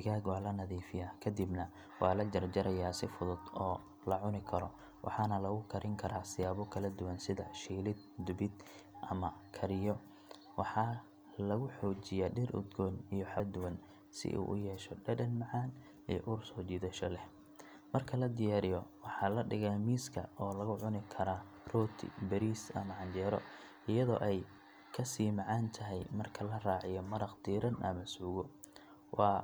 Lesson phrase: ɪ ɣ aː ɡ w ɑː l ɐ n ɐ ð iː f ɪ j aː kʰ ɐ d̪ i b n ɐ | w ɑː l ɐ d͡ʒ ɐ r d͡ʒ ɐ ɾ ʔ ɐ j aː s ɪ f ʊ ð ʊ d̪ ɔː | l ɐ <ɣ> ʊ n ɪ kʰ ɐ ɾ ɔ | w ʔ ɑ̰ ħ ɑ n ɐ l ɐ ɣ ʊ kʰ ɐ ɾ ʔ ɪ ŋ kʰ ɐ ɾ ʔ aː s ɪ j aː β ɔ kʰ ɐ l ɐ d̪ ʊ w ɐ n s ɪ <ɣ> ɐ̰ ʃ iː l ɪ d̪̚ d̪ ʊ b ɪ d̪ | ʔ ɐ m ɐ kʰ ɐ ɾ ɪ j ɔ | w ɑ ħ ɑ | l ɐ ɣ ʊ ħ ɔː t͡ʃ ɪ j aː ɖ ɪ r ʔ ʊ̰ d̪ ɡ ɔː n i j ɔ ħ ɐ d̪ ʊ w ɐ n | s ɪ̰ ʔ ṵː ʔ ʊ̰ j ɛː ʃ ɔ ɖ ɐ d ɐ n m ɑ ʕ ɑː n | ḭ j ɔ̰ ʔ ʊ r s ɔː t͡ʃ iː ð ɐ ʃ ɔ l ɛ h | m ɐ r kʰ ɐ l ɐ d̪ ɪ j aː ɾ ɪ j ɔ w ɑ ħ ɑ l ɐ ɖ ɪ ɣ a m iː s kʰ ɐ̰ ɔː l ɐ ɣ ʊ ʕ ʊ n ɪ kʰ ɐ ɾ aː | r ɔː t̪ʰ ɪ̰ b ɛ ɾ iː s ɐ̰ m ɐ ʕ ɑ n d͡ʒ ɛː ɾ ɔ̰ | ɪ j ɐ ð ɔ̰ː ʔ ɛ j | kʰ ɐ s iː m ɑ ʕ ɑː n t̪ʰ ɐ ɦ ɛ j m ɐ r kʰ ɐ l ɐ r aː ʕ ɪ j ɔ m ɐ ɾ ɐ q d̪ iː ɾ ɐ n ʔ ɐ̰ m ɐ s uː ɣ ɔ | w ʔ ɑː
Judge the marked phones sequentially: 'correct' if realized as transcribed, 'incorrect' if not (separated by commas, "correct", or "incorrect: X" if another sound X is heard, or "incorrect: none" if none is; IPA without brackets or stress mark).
incorrect: ʕ, incorrect: ð